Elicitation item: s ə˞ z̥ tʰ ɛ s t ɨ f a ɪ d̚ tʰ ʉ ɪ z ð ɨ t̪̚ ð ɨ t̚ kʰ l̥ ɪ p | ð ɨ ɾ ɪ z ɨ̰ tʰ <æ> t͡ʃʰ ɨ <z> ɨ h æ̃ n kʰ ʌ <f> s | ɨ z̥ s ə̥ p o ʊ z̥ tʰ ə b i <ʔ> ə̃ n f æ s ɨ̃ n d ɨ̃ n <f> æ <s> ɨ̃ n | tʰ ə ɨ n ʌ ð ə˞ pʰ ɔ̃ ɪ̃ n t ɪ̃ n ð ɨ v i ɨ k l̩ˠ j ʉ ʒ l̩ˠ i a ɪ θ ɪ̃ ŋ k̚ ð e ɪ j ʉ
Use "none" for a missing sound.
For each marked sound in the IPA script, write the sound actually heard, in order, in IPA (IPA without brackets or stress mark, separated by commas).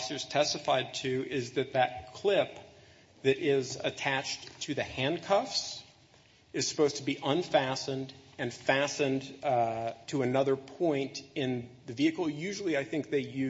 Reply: æ, ð, f, ʔ, f, s